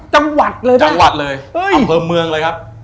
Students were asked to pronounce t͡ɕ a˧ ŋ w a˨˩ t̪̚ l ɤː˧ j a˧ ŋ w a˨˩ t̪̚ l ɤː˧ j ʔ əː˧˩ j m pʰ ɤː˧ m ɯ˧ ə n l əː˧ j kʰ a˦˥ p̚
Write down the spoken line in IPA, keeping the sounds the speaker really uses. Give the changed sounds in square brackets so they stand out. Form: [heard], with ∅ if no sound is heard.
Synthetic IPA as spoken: t͡ɕ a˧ ŋ w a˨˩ t̪̚ l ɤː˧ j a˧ ŋ w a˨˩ t̪̚ l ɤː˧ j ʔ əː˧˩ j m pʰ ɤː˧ m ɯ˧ ə [ŋ] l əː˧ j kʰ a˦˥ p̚

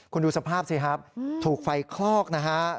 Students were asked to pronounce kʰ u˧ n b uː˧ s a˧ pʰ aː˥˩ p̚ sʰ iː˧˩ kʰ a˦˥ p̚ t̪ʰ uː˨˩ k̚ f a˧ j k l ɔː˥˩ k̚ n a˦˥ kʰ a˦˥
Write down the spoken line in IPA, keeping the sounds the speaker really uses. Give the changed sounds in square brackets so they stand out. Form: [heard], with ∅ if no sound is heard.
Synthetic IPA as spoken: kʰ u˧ n [d] uː˧ s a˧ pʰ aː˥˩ p̚ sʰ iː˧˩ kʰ a˦˥ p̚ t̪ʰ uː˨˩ k̚ f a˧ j [kʰ] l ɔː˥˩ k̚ n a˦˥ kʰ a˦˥

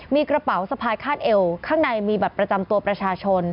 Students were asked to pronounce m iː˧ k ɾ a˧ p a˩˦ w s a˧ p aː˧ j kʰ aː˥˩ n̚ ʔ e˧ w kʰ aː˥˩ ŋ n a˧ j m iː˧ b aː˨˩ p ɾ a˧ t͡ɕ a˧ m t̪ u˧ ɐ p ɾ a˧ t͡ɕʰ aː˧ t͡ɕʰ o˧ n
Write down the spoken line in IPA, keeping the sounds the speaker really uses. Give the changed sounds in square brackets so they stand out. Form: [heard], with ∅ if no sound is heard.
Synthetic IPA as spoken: m iː˧ k ɾ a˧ p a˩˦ w s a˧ [pʰ] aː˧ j kʰ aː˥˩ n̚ ʔ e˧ w kʰ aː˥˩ ŋ n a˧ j m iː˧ b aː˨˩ p ɾ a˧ t͡ɕ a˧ m t̪ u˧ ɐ p ɾ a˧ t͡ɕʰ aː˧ t͡ɕʰ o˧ n

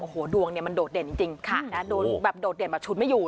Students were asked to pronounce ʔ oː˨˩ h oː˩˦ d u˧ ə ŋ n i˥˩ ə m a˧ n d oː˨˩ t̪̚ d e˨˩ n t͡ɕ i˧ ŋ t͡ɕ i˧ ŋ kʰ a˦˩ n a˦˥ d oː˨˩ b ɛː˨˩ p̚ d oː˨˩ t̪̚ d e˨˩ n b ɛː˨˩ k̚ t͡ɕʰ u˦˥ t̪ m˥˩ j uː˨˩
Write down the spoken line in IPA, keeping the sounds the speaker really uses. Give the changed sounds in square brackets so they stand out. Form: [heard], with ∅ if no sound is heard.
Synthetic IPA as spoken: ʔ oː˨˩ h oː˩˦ d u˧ ə ŋ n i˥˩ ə m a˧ n d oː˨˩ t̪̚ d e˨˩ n t͡ɕ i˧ ŋ t͡ɕ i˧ ŋ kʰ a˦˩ n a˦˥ d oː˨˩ b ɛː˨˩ p̚ d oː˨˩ t̪̚ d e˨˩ n b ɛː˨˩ [p̚] t͡ɕʰ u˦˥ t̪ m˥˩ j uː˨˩

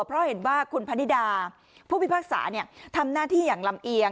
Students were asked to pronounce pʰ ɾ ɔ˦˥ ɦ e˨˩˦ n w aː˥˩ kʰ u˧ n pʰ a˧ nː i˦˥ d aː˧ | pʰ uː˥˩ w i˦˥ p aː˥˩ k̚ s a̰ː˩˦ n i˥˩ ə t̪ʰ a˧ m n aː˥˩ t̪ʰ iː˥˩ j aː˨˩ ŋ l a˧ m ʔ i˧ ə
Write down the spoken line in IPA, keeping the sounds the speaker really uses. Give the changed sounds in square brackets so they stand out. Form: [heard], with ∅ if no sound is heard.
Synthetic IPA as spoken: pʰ ɾ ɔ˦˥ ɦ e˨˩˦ n w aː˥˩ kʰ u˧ n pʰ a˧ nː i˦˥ d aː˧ | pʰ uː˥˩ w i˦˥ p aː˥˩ k̚ s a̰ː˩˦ n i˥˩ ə t̪ʰ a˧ m n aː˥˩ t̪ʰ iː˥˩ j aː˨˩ ŋ l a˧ m ʔ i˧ ə

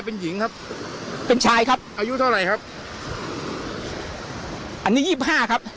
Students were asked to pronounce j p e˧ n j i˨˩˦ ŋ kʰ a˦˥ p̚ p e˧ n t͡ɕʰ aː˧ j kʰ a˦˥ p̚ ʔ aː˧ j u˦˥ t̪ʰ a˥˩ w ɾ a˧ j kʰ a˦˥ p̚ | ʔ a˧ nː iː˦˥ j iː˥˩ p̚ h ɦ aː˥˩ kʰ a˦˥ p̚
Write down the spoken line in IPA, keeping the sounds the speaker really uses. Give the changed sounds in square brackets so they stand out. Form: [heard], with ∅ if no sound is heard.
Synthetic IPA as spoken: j p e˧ n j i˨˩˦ ŋ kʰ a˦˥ p̚ p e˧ n t͡ɕʰ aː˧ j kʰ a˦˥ p̚ ʔ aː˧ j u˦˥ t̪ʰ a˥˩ w ɾ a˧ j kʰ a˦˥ p̚ | ʔ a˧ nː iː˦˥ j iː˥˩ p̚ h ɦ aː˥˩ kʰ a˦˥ p̚

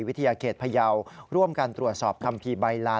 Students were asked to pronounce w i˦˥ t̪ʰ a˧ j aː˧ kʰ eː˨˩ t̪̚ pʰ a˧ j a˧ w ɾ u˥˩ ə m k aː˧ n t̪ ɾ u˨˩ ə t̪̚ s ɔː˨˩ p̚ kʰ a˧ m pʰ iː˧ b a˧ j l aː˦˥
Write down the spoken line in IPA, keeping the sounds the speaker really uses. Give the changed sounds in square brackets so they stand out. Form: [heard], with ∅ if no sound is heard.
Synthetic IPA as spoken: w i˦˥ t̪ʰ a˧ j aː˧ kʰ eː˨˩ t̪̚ pʰ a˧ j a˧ w ɾ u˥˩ ə m k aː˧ n t̪ ɾ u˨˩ ə t̪̚ s ɔː˨˩ p̚ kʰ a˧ m pʰ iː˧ b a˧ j l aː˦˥

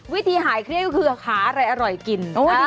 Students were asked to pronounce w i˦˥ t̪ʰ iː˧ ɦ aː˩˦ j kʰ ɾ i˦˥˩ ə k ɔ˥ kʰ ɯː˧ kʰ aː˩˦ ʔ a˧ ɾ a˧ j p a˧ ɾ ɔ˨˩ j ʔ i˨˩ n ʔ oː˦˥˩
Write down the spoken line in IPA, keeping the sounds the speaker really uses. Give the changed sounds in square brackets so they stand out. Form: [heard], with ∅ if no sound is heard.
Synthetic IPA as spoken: w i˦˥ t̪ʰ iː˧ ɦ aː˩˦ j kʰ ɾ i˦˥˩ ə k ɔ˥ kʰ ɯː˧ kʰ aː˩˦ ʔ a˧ ɾ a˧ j [ʔ] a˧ ɾ ɔ˨˩ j [k] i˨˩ n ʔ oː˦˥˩

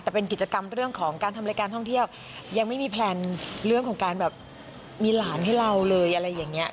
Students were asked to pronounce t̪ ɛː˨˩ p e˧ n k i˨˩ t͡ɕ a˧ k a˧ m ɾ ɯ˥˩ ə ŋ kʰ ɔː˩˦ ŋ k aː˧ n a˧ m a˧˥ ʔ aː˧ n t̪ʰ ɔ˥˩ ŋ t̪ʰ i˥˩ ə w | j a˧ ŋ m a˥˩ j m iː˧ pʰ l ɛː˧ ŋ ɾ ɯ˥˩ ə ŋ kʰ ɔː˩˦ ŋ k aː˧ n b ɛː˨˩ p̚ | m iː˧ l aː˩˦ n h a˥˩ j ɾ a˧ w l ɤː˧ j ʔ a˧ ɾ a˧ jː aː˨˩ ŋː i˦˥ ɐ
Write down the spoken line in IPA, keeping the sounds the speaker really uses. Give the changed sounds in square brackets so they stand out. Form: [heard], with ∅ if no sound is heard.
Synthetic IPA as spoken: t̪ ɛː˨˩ p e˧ n k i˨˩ t͡ɕ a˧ k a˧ m ɾ ɯ˥˩ ə ŋ kʰ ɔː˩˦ ŋ k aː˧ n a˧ m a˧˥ [k] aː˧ n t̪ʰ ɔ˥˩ ŋ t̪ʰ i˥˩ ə w | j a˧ ŋ m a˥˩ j m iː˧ pʰ l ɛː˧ [n] ɾ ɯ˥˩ ə ŋ kʰ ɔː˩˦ ŋ k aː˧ n b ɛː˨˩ p̚ | m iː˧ l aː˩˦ n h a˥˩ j ɾ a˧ w l ɤː˧ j ʔ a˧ ɾ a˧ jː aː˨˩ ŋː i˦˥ ɐ

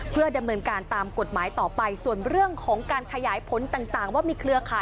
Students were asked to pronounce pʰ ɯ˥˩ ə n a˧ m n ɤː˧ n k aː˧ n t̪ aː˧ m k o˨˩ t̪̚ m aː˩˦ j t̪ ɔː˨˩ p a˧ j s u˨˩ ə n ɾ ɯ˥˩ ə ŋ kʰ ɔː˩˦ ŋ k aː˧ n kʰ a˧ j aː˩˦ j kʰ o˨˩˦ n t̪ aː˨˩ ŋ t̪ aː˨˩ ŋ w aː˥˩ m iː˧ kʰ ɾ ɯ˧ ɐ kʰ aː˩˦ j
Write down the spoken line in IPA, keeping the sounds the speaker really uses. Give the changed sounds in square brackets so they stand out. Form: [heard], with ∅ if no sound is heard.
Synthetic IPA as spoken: pʰ ɯ˥˩ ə [d] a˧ m n ɤː˧ n k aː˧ n t̪ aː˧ m k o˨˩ t̪̚ m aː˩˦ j t̪ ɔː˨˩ p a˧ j s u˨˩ ə n ɾ ɯ˥˩ ə ŋ kʰ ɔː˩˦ ŋ k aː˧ n kʰ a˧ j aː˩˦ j [pʰ] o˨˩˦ n t̪ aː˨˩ ŋ t̪ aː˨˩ ŋ w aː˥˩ m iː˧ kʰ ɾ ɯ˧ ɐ kʰ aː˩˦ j

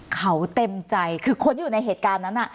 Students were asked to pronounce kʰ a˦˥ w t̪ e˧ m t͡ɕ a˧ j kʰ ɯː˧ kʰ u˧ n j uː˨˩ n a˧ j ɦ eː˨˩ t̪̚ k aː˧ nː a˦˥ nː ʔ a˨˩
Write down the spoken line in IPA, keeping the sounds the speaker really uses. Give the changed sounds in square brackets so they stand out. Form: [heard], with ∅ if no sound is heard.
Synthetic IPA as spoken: kʰ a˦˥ w t̪ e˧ m t͡ɕ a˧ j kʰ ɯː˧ kʰ [o˧] n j uː˨˩ n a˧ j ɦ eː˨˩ t̪̚ k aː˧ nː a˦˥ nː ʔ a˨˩

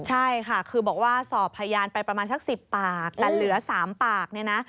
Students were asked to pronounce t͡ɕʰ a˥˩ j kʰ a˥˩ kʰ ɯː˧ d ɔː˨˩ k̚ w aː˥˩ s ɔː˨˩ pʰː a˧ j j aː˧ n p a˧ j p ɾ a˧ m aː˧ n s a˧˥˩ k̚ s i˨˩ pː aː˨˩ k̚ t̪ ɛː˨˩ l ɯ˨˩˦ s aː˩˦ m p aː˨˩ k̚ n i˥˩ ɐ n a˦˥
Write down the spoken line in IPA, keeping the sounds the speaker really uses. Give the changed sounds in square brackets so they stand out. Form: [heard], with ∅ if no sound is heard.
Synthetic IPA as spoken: t͡ɕʰ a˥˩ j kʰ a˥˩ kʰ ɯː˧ [b] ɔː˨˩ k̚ w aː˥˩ s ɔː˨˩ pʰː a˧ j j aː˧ n p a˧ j p ɾ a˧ m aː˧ n s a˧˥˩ k̚ s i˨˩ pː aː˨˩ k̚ t̪ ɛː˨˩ l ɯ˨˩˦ s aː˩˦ m p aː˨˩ k̚ n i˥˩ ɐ n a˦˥

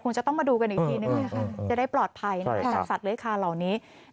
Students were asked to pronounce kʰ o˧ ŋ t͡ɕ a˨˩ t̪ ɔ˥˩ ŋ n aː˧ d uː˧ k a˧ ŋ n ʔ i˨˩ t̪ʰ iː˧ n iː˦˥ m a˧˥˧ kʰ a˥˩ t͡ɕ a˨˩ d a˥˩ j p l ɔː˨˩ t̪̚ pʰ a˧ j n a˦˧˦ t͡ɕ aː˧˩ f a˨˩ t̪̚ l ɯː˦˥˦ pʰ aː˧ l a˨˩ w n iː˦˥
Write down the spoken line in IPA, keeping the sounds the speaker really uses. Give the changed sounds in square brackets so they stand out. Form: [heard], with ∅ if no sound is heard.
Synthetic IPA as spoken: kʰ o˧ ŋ t͡ɕ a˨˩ t̪ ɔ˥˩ ŋ [m] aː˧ d uː˧ k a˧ [∅] n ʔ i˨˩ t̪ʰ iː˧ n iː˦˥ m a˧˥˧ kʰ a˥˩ t͡ɕ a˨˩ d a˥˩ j p l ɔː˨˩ t̪̚ pʰ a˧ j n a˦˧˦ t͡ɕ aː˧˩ [s] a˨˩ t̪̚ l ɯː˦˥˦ [kʰ] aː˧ l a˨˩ w n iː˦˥

